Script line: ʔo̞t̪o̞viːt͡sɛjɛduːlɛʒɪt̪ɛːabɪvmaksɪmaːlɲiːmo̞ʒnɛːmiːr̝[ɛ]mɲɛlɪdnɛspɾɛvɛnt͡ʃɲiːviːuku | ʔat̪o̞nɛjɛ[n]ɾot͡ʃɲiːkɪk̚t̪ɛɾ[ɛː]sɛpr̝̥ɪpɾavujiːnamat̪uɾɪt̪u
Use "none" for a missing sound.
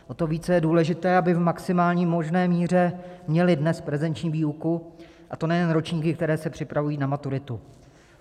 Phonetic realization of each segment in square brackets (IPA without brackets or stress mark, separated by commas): ɛ, n, ɛː